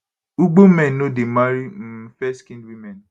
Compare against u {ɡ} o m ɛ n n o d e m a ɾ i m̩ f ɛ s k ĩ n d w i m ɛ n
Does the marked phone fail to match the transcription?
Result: yes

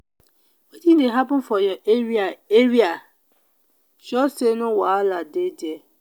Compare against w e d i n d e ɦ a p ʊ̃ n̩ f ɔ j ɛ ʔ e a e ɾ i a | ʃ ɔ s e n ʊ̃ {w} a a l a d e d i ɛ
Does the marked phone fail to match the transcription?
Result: no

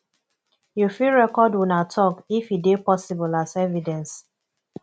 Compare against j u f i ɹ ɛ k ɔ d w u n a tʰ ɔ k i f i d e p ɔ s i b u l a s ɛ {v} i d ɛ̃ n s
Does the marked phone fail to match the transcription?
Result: no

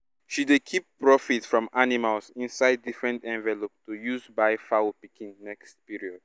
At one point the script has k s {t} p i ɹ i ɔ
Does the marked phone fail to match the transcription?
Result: no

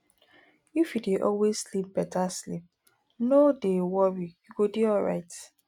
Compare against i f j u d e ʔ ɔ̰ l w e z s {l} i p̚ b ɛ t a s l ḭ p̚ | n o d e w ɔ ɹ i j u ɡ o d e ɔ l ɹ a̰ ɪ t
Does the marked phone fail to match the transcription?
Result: no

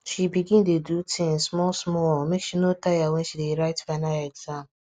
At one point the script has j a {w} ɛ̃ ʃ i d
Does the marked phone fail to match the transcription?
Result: no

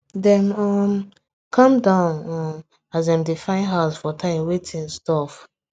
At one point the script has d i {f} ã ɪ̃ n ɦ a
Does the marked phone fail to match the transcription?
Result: no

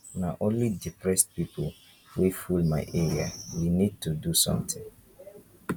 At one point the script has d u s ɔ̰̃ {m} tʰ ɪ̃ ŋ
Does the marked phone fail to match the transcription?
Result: no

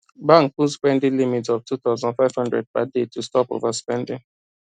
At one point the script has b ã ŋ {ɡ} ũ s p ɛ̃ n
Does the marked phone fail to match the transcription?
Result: yes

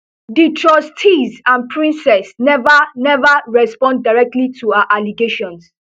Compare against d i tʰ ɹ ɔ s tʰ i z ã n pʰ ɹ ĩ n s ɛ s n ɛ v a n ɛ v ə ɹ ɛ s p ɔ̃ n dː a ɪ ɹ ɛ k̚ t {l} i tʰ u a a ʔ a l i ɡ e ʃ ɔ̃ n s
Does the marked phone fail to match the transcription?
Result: no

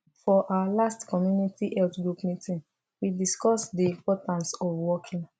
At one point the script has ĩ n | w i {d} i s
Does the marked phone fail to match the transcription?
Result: no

